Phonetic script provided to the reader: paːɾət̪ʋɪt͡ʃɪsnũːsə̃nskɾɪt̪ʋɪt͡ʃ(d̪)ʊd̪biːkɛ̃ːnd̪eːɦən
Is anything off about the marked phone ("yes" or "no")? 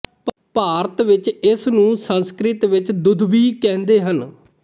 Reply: no